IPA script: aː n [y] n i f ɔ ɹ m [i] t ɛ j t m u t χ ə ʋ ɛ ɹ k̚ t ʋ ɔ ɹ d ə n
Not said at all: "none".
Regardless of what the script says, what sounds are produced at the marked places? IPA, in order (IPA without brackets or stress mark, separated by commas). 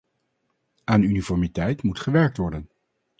y, i